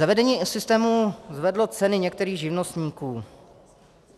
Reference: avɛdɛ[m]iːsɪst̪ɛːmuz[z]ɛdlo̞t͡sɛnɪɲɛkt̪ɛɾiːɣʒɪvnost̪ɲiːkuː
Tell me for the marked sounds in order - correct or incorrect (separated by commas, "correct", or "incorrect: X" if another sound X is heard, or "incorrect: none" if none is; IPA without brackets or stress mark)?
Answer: incorrect: ɲ, incorrect: v